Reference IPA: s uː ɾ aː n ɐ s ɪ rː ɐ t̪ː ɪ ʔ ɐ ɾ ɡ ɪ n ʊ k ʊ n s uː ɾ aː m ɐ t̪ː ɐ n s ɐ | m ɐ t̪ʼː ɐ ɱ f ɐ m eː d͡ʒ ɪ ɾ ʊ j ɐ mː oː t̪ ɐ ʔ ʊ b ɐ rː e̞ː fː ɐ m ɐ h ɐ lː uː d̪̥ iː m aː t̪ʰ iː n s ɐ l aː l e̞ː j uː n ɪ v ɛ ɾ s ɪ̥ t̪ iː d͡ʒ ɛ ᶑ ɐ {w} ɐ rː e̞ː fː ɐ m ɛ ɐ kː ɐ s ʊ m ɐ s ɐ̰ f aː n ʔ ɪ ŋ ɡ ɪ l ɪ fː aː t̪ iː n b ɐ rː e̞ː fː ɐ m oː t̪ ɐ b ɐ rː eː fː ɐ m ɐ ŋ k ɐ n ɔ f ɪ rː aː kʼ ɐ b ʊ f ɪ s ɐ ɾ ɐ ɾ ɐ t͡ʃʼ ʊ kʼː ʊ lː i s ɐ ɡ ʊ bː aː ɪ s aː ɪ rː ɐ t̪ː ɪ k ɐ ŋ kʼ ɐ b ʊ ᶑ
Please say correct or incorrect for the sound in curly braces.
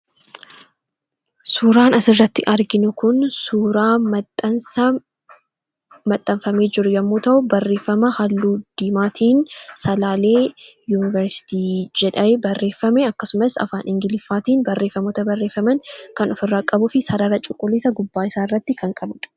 incorrect